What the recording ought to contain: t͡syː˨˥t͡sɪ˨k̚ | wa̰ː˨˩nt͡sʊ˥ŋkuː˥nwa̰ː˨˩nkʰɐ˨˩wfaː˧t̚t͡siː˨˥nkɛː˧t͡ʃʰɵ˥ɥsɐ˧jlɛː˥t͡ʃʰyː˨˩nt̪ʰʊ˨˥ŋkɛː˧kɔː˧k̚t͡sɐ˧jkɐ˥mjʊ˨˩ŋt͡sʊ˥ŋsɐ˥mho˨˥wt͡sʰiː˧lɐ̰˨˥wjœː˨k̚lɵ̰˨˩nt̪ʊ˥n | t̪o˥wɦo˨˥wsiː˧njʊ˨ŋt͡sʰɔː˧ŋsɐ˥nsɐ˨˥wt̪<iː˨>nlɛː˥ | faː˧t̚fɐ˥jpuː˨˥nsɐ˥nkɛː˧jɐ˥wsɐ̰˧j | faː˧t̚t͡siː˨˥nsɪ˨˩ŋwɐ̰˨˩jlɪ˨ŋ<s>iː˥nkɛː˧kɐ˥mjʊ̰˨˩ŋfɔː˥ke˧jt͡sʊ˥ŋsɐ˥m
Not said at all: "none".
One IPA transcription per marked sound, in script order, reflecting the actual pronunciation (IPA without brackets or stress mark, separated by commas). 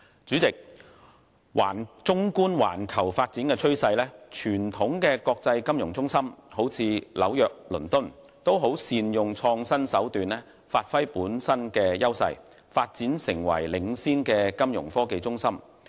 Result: yː˨, s